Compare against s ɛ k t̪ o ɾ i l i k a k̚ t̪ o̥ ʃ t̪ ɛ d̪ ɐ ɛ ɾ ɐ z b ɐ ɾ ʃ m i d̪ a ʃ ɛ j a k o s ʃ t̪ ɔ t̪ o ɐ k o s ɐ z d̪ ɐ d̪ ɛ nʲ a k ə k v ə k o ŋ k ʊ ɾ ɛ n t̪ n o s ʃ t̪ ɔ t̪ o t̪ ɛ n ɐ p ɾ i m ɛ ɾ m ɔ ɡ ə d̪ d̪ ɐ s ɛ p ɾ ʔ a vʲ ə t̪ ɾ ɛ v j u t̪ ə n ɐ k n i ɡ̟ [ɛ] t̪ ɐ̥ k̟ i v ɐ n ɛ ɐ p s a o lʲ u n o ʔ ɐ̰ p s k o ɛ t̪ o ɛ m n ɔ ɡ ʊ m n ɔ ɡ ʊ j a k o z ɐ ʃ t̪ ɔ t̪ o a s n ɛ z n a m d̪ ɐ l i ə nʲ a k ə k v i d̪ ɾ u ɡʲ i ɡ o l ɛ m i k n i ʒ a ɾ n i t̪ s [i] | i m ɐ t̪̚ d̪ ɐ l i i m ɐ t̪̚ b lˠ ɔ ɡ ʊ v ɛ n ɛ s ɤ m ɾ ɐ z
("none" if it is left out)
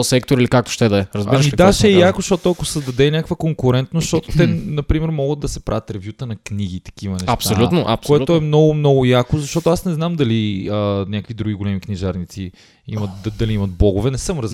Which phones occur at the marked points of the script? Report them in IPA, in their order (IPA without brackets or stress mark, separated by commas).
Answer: i, i